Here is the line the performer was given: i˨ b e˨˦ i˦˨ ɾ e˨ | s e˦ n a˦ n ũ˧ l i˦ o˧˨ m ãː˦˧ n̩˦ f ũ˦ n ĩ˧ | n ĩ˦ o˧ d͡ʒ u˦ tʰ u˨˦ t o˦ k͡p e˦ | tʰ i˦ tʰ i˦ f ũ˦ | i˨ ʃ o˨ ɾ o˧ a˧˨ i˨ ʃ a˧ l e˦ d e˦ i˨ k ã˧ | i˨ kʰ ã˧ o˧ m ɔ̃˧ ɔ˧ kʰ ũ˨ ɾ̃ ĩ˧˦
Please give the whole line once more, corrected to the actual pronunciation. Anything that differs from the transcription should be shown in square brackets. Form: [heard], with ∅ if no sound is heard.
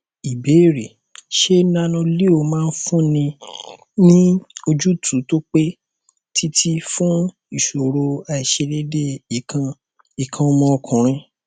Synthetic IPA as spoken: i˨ b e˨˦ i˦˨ ɾ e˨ | [ʃ] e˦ n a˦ n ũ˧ l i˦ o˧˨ m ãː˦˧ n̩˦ f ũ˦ n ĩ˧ | n ĩ˦ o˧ d͡ʒ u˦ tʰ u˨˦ t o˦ k͡p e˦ | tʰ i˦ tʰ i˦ f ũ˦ | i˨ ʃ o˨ ɾ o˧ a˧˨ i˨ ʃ [e˧] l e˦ d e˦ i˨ k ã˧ | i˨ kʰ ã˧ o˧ m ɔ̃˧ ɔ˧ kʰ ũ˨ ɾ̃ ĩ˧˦

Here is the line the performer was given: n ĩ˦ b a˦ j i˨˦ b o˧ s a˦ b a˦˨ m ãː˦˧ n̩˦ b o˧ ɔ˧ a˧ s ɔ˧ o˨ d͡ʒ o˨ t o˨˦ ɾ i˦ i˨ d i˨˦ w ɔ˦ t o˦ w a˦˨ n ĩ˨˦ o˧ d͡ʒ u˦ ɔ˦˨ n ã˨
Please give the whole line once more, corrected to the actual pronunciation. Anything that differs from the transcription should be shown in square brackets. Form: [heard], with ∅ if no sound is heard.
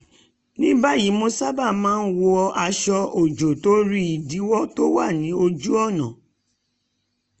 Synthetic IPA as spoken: n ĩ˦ b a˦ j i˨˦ [m] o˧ s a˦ b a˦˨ m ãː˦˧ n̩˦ [w] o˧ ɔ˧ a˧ [ʃ] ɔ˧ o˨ d͡ʒ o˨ t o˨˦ ɾ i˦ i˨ d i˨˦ w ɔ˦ t o˦ w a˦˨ n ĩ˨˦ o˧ d͡ʒ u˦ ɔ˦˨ n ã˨

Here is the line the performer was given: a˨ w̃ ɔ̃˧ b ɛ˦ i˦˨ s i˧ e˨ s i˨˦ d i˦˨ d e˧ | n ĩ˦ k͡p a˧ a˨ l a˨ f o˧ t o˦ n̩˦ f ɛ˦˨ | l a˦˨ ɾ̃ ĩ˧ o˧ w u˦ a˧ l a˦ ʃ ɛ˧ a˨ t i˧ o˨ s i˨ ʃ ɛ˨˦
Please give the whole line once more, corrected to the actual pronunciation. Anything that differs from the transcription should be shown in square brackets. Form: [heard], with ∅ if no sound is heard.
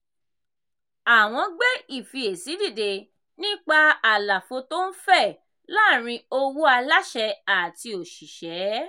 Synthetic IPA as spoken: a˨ w̃ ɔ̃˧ [ɡ͡b] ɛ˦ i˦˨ [f] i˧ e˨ s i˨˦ d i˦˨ d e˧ | n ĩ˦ k͡p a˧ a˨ l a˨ f o˧ t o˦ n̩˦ f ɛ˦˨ | l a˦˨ ɾ̃ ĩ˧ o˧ w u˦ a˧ l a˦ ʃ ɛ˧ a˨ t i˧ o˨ [ʃ] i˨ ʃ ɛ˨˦

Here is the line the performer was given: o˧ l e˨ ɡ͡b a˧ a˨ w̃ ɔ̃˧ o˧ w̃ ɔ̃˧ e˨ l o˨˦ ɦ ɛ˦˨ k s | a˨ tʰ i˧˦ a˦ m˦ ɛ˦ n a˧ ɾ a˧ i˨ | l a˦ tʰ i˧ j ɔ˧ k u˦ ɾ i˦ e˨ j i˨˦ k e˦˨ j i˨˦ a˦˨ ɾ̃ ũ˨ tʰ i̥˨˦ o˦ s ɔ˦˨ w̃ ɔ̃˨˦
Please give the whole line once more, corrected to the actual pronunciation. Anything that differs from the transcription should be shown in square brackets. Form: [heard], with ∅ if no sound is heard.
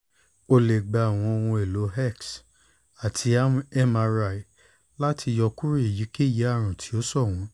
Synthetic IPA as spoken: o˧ l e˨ ɡ͡b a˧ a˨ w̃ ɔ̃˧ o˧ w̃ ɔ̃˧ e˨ l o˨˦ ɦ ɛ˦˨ k s | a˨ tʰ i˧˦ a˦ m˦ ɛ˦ [m] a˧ ɾ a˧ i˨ | l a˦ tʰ i˧ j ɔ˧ k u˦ ɾ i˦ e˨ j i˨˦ k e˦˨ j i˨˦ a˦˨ ɾ̃ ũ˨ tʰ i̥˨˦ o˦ s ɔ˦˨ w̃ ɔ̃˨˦

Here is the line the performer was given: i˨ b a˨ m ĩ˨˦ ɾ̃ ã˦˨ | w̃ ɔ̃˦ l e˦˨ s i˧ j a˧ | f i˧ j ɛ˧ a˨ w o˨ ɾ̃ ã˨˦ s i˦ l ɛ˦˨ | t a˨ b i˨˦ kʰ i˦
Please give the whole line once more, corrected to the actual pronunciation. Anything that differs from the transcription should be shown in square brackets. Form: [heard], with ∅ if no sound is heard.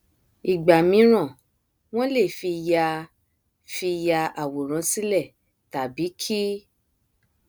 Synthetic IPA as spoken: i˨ [ɡ͡b] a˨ m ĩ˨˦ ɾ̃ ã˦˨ | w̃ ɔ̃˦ l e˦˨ [f] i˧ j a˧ | f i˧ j [a˧] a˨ w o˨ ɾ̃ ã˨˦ s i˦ l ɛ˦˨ | t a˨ b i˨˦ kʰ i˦

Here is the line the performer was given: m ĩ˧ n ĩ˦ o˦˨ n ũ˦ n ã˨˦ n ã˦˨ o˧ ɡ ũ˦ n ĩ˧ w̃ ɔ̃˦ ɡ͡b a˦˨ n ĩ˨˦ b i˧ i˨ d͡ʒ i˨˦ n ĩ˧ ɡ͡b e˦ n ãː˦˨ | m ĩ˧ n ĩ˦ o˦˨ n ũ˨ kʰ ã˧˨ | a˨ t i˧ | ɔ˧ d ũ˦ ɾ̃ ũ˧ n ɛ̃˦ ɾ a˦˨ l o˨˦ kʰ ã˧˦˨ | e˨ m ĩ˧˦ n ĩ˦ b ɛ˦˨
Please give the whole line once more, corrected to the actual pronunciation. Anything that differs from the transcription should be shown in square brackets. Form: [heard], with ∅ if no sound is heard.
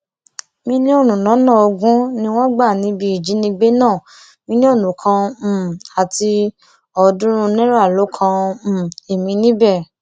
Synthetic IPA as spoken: m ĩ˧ n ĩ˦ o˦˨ n [ũ˨] n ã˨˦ n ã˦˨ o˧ ɡ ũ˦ n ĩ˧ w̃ ɔ̃˦ ɡ͡b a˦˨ n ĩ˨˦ b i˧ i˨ d͡ʒ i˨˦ n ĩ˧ ɡ͡b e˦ n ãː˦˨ | m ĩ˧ n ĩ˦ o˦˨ n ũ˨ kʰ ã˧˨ | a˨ t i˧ | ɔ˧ d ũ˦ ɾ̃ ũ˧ n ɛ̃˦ ɾ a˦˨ l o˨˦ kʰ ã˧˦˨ | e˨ m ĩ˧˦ n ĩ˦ b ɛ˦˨

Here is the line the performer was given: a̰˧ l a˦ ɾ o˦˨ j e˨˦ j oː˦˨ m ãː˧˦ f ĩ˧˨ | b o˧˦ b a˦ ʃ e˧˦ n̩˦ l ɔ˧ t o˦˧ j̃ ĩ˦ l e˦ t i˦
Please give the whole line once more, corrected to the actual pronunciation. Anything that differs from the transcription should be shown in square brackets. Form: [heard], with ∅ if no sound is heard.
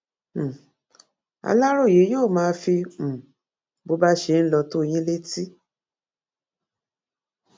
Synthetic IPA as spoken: a̰˧ l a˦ ɾ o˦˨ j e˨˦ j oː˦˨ m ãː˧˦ f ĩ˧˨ | b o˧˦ b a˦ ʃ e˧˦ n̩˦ l ɔ˧ t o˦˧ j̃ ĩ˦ l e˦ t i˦

